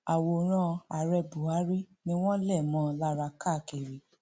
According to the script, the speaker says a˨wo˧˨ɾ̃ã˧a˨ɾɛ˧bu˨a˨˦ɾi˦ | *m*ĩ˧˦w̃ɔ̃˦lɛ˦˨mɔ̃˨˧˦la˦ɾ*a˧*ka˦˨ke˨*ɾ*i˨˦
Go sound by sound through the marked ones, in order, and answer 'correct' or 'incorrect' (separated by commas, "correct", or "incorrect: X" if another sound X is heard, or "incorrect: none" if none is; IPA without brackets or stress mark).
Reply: incorrect: n, correct, correct